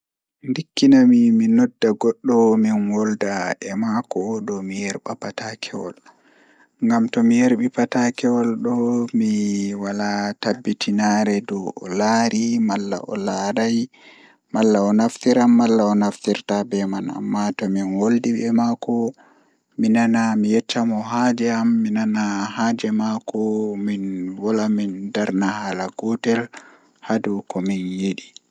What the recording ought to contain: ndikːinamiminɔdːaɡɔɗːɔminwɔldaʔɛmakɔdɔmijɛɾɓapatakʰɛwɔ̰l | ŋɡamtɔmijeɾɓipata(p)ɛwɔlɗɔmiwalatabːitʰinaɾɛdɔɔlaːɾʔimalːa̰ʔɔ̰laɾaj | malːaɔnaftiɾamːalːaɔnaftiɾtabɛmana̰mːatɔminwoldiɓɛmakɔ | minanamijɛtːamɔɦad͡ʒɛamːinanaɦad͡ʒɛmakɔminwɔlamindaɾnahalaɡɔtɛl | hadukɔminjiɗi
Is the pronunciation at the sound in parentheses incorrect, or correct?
incorrect